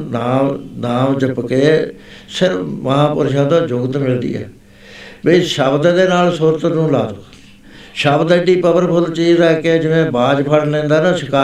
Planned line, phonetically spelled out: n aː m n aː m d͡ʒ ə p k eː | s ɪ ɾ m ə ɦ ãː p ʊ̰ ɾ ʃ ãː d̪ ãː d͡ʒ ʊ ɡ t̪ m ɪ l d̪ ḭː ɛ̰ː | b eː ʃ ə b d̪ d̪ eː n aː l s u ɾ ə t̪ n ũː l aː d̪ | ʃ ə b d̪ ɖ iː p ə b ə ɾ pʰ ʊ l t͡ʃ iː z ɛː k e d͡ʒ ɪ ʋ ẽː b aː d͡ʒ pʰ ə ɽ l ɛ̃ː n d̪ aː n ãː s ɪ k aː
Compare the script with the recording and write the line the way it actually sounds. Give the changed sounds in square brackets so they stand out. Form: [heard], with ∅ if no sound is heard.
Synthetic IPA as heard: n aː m n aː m d͡ʒ ə p k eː | s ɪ ɾ m ə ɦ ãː p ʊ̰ ɾ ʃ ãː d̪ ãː d͡ʒ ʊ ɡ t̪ m ɪ l d̪ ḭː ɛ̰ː | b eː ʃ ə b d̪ d̪ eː n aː l s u ɾ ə t̪ n ũː l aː d̪ | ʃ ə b d̪ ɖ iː p ə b ə ɾ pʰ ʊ l t͡ʃ iː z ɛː k e d͡ʒ ɪ ʋ ẽː b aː d͡ʒ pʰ ə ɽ l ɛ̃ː n d̪ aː n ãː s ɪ k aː